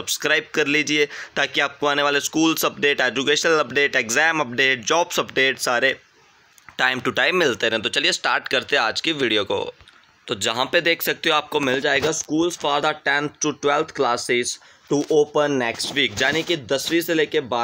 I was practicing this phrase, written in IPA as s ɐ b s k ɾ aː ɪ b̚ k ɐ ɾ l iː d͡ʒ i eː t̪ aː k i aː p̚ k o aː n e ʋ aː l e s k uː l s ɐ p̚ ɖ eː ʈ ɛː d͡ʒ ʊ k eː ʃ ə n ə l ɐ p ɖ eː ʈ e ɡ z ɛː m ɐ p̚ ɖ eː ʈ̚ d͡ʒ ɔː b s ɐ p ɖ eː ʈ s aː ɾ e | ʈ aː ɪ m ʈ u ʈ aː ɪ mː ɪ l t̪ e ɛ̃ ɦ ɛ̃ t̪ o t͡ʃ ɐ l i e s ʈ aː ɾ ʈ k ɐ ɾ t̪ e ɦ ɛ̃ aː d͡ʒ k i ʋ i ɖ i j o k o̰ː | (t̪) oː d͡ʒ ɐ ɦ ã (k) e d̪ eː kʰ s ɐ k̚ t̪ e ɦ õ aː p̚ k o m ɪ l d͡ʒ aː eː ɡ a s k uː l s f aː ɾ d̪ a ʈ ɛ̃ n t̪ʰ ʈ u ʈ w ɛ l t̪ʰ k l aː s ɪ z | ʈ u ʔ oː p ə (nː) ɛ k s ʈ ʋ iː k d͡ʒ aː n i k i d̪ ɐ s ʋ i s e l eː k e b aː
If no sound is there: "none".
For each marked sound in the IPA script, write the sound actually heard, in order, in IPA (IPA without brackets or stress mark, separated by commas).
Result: t̪, p, nː